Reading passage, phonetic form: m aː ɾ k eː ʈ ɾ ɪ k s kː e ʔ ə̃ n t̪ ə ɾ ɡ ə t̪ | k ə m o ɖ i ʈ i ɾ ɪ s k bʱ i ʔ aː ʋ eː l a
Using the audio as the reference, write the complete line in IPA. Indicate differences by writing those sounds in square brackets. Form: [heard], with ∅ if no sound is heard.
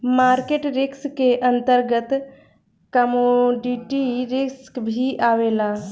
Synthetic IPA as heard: m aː ɾ k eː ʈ ɾ ɪ k s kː e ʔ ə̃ n t̪ ə ɾ ɡ ə t̪ | k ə m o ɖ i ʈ i ɾ ɪ s k bʱ i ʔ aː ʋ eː l a